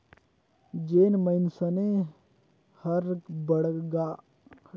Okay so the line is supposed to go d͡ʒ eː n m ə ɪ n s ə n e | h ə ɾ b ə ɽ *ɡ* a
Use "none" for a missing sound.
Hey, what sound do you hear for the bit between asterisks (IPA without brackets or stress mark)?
ɡ